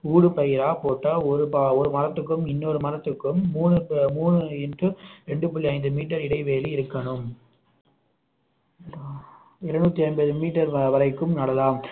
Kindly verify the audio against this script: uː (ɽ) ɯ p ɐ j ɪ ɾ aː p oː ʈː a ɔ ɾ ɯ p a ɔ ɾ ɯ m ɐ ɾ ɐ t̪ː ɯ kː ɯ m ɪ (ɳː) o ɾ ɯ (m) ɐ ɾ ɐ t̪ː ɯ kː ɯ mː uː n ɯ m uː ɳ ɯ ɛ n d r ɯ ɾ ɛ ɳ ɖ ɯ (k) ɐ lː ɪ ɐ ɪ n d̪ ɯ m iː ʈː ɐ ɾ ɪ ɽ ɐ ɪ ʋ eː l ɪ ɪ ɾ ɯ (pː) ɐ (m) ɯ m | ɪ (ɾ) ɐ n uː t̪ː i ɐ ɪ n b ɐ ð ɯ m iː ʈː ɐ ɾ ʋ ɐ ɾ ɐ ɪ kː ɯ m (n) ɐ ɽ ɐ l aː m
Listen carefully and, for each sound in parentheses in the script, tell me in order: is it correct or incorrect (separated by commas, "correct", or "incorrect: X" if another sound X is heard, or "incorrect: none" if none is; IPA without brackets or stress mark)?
correct, incorrect: nː, correct, incorrect: p, incorrect: kː, incorrect: ɳ, correct, correct